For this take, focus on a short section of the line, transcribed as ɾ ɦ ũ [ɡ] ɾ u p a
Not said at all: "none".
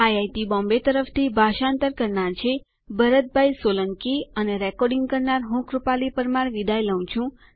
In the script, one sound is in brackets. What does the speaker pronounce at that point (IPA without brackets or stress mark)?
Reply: k